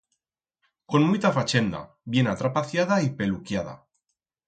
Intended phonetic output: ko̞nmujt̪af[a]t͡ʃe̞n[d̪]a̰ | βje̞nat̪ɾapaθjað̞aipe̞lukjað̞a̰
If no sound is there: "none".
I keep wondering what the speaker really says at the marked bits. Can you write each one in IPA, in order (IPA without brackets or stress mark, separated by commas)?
a, d̪